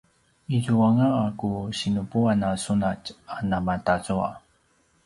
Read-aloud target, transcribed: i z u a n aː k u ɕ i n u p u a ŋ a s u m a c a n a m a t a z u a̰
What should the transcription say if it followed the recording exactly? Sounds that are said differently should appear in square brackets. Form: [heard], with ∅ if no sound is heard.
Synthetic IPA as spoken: i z u a [ŋ] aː k u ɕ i n u p u a [n] a s u [n] a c a n a m a t a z u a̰